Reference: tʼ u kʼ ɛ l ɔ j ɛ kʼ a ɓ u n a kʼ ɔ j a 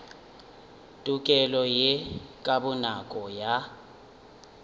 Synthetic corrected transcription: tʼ u kʼ ɛ l ɔ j ɛ kʼ a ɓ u n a kʼ ɔ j a